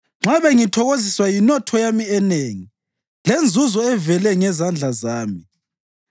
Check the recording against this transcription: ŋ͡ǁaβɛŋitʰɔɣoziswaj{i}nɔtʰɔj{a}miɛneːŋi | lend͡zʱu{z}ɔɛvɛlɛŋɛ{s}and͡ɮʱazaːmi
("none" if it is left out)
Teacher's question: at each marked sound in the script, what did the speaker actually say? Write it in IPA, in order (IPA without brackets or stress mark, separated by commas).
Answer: i, a, z, z